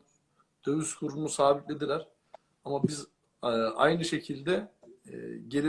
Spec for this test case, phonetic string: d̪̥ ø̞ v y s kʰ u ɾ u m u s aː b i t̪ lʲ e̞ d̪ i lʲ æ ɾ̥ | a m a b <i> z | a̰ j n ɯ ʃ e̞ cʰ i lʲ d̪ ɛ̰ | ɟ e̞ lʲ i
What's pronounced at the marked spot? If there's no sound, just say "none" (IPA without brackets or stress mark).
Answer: i